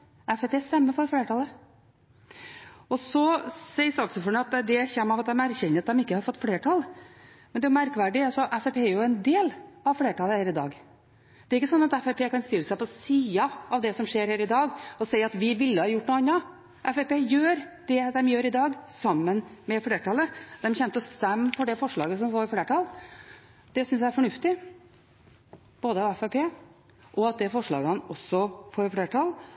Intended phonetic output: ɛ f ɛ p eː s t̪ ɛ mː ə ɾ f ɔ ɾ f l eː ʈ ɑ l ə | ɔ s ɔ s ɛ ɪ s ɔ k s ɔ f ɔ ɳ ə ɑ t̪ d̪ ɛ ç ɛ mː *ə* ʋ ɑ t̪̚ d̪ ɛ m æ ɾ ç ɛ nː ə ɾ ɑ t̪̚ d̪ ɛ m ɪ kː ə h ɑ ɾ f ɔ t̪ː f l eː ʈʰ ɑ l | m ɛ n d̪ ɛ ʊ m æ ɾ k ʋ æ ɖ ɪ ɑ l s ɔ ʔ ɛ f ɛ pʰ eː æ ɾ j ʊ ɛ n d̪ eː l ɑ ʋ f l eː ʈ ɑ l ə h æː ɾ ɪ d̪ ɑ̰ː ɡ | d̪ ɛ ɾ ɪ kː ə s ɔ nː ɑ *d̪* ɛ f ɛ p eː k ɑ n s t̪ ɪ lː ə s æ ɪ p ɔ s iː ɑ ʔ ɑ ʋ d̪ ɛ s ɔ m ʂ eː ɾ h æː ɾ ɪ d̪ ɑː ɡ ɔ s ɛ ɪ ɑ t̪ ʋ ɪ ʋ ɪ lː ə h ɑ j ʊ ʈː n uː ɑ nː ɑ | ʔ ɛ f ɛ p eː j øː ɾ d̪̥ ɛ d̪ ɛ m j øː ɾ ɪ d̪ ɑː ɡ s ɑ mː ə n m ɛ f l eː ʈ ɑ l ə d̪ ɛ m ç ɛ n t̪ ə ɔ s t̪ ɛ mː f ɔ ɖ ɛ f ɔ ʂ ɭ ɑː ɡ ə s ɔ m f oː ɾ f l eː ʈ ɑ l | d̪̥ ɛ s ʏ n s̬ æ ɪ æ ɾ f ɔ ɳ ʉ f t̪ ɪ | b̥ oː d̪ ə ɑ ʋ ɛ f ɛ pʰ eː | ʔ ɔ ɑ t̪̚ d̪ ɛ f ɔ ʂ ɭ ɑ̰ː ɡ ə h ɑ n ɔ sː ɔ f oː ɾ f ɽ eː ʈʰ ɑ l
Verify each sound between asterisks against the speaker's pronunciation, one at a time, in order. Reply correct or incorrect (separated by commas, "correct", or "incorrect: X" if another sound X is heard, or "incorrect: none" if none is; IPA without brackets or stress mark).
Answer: incorrect: ɑ, incorrect: t̪